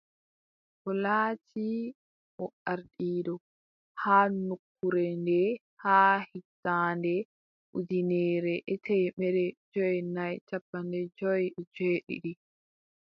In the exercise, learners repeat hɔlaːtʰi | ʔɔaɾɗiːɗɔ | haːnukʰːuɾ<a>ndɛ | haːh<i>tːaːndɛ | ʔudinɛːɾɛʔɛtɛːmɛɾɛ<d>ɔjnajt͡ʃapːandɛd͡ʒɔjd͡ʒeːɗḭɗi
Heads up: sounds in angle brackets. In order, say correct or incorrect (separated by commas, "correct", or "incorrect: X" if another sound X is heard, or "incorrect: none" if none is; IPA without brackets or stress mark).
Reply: incorrect: ɛ, correct, incorrect: d͡ʒ